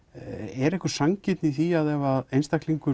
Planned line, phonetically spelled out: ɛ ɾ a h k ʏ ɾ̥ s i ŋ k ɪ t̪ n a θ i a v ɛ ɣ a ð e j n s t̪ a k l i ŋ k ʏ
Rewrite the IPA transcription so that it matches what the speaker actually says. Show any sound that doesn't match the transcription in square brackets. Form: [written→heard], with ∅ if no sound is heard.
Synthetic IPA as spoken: ɛ ɾ [a→ɛ] h k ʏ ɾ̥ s [i→a] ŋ [k→c] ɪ t̪ n [a→i] θ i a [v→ð] ɛ [ɣ→v] a ð e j n s t̪ a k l i ŋ k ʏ